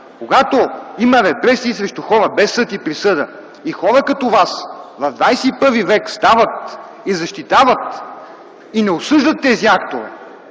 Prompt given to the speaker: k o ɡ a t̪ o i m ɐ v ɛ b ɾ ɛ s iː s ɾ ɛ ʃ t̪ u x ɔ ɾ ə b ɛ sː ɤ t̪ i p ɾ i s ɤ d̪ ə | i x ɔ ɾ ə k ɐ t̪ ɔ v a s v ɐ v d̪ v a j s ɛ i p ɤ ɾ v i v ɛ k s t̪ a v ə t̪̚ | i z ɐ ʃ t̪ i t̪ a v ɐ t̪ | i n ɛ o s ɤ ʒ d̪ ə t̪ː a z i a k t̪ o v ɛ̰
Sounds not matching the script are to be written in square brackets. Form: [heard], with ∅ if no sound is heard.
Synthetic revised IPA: k o ɡ a t̪ o i m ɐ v ɛ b ɾ ɛ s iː s ɾ ɛ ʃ t̪ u x ɔ ɾ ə b ɛ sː ɤ t̪ i p ɾ i s ɤ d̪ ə | i x ɔ ɾ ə k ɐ t̪ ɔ v a s v ɐ v d̪ v a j s ɛ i p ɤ ɾ v i v ɛ k s t̪ a v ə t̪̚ | i z ɐ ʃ t̪ i t̪ a v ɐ t̪ | i n ɛ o s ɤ ʒ d̪ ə t̪ː [ɛ] z i a k t̪ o v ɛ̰